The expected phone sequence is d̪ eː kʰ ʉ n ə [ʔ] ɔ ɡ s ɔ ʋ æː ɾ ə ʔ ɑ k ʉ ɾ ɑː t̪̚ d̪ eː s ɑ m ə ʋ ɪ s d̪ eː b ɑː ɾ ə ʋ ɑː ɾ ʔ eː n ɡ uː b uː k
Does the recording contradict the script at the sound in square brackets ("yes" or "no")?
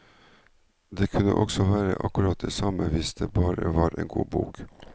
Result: no